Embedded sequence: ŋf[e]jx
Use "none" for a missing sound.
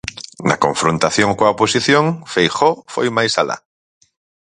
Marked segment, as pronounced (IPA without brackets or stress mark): e